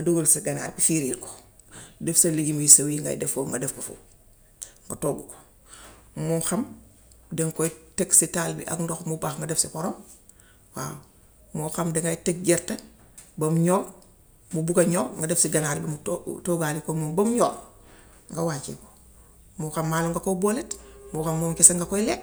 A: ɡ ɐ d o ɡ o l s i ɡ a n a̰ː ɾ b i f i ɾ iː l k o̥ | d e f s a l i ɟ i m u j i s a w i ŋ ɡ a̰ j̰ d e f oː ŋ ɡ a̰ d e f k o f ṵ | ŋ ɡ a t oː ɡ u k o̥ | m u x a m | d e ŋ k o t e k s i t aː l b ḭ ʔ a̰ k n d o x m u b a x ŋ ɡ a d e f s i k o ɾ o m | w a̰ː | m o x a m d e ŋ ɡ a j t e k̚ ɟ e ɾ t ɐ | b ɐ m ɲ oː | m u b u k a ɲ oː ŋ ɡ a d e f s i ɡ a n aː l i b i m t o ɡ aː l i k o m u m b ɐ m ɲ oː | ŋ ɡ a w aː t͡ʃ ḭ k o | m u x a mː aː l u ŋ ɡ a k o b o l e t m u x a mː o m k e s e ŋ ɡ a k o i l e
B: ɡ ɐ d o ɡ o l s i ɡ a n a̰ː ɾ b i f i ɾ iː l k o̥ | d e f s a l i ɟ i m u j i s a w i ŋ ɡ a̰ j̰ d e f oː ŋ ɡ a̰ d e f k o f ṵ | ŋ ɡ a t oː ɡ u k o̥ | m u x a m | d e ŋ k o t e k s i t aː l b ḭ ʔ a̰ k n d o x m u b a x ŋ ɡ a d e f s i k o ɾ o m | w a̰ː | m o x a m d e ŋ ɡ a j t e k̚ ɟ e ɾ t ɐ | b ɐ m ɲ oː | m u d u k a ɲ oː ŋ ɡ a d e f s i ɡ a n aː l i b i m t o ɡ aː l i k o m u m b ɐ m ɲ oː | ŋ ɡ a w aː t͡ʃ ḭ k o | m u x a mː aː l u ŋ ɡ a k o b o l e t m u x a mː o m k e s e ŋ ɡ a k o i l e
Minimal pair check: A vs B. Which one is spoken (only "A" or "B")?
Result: A